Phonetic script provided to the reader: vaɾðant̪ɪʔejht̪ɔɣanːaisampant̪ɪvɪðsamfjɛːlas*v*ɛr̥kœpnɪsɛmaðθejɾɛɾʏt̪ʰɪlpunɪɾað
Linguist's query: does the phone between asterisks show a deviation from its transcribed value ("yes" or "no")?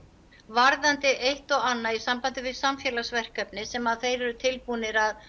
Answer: no